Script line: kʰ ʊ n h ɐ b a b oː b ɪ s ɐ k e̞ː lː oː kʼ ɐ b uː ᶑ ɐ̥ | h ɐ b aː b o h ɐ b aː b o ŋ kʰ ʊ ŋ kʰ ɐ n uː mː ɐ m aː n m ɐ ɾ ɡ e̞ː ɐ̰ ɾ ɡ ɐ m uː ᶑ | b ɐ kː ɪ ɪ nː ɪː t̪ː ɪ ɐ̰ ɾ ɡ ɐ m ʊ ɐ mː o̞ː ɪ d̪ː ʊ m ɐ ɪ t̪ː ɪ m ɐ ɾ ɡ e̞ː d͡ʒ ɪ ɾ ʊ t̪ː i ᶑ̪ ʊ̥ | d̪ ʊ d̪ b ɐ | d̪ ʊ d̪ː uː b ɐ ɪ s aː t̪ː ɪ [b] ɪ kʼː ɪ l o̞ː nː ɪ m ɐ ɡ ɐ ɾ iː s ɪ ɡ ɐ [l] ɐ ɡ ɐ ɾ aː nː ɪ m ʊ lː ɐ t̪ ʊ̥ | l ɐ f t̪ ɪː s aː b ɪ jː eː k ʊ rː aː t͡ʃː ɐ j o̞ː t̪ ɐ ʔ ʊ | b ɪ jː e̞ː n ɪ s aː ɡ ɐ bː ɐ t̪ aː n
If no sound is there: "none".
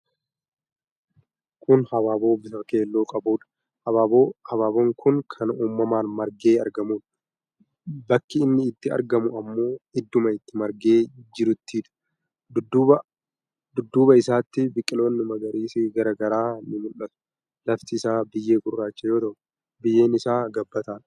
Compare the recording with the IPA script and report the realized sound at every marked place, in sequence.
b, ɾ

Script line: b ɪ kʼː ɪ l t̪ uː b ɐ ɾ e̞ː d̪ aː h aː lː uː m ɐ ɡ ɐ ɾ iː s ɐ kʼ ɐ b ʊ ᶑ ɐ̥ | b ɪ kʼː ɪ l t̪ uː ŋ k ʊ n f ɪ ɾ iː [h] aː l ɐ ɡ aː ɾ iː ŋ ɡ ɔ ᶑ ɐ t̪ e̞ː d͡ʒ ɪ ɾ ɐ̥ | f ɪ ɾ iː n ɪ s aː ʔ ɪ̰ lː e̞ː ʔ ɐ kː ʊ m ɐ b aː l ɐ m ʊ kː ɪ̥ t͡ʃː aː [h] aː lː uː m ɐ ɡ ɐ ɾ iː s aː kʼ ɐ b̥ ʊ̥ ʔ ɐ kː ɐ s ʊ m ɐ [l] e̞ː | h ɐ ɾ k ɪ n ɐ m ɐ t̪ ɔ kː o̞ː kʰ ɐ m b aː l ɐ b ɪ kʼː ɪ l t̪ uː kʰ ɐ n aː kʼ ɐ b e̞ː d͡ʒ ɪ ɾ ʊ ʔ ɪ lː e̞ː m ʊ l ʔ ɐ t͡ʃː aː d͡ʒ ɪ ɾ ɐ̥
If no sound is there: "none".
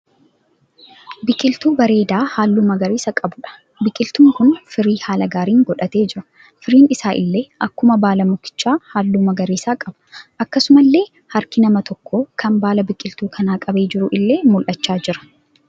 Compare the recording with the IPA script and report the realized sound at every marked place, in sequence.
h, h, lː

